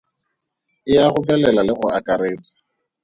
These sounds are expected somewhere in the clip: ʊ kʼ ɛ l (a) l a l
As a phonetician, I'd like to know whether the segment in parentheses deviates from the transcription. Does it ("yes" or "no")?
yes